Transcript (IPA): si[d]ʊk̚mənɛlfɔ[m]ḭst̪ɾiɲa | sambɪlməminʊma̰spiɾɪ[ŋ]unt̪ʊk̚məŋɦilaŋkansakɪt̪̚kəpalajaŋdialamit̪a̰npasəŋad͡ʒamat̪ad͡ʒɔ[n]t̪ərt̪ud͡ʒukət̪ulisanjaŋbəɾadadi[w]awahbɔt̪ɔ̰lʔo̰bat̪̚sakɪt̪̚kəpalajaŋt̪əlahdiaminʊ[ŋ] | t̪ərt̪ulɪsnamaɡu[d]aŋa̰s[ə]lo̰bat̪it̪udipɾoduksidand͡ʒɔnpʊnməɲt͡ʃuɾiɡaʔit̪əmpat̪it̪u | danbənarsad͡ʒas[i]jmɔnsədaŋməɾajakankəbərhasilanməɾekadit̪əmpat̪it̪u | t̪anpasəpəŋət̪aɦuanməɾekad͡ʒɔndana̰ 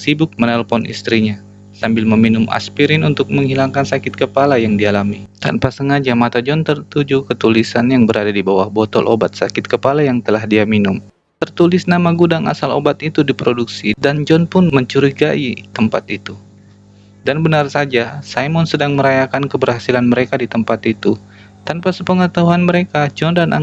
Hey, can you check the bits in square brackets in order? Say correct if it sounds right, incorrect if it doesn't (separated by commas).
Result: incorrect, incorrect, incorrect, correct, incorrect, incorrect, correct, incorrect, incorrect